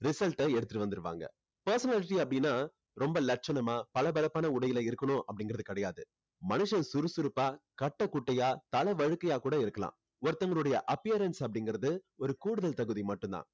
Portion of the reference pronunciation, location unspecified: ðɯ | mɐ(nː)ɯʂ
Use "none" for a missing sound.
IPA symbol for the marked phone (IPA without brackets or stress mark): n